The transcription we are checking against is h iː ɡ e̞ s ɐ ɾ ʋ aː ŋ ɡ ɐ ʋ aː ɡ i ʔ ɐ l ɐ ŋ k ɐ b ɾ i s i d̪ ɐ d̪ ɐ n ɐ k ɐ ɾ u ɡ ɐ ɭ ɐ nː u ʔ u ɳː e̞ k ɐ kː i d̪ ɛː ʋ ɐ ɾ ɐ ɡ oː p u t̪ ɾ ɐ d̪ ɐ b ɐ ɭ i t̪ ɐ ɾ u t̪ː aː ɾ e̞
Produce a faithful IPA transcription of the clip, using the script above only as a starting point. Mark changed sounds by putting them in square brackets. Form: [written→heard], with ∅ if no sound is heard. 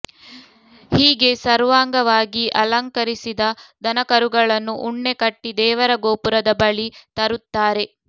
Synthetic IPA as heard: h iː ɡ e̞ s ɐ ɾ ʋ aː ŋ ɡ ɐ ʋ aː ɡ i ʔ ɐ l ɐ ŋ k ɐ [b→∅] ɾ i s i d̪ ɐ d̪ ɐ n ɐ k ɐ ɾ u ɡ ɐ ɭ ɐ nː u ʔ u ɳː e̞ k ɐ [kː→ʈː] i d̪ ɛː ʋ ɐ ɾ ɐ ɡ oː p u [t̪→∅] ɾ ɐ d̪ ɐ b ɐ ɭ i t̪ ɐ ɾ u t̪ː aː ɾ e̞